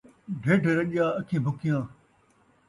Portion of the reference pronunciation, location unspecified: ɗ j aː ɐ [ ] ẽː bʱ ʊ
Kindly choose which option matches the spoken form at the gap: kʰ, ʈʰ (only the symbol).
kʰ